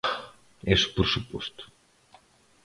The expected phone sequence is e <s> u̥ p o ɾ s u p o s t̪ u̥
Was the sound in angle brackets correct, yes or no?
yes